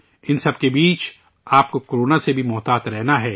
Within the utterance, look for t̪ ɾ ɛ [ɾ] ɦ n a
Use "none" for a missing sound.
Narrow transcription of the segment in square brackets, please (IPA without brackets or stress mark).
none